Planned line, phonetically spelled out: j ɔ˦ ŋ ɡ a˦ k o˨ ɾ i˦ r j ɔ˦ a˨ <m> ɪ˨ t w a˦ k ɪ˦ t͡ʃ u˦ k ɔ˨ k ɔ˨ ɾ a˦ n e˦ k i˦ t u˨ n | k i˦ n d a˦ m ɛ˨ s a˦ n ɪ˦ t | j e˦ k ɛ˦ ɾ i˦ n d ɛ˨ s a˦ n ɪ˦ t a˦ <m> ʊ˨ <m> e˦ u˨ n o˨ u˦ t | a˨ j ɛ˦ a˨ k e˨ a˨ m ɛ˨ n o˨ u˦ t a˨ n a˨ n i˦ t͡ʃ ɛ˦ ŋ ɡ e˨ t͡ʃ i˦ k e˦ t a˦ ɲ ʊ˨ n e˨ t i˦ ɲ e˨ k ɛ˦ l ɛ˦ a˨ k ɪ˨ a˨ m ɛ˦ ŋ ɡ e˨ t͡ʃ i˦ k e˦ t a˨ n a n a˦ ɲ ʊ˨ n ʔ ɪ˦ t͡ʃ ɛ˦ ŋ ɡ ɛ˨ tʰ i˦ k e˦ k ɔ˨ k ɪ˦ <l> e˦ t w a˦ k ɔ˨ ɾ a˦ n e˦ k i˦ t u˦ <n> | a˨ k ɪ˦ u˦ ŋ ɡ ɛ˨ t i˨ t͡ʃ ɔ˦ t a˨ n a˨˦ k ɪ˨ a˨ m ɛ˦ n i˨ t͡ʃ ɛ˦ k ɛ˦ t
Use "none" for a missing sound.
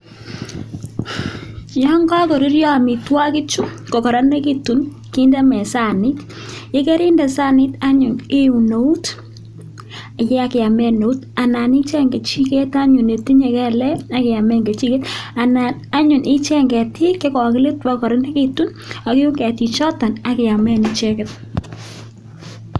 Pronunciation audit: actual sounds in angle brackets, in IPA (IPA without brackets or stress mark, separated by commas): m, ɲ, n, l, n